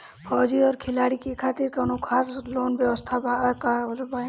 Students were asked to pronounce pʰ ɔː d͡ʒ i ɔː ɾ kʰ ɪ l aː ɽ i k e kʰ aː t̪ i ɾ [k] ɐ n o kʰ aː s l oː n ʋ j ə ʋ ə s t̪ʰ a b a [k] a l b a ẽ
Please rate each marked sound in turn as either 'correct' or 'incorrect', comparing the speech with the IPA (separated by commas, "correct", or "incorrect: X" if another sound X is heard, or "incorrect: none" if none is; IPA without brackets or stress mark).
correct, correct